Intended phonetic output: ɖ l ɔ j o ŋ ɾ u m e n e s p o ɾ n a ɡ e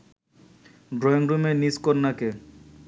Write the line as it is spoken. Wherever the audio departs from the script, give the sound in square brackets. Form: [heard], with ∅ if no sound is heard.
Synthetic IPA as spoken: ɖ [ɾ] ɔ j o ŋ ɾ u m e n [i] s [k] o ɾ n a [k] e